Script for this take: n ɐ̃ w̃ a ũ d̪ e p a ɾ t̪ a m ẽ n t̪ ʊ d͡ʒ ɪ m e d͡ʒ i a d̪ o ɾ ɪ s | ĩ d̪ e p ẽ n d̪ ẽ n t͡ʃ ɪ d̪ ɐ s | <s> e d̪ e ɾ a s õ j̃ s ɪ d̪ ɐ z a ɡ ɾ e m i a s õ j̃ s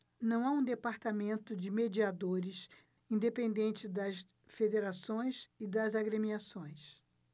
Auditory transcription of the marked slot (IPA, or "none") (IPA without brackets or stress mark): f